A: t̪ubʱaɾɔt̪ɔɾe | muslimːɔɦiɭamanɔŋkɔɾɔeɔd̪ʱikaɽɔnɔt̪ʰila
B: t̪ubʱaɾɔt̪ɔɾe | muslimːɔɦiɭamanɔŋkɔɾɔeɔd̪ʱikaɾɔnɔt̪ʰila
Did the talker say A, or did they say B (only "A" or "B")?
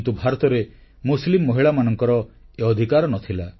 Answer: B